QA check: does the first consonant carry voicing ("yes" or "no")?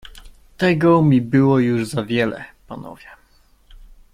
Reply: no